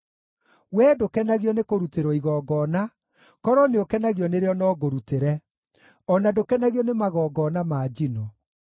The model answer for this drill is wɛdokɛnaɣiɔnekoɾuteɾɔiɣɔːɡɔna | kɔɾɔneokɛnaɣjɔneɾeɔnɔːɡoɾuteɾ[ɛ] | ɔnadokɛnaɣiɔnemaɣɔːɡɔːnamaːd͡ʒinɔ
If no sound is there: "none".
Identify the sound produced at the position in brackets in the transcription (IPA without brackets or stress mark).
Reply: ɛ